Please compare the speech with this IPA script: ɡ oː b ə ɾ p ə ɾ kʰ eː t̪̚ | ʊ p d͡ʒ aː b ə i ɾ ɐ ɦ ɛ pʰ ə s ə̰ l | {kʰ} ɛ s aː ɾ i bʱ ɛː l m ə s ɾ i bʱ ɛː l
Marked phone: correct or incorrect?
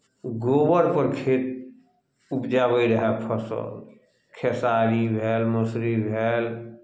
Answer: correct